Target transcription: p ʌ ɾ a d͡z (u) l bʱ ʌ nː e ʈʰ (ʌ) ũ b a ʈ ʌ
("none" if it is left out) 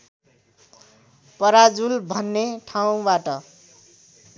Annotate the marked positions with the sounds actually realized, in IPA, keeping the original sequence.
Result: u, a

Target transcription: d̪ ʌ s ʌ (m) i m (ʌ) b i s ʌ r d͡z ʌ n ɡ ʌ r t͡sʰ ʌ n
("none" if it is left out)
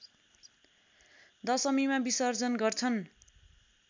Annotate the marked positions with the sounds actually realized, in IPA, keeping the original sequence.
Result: m, a

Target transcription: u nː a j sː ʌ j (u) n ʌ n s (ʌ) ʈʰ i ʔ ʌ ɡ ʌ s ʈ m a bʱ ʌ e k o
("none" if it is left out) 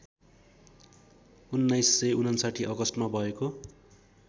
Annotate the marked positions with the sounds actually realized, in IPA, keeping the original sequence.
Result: u, a

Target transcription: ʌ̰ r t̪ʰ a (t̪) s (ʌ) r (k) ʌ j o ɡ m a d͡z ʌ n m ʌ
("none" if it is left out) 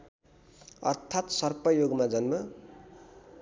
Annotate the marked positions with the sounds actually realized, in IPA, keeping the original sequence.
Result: t̪, ʌ, p

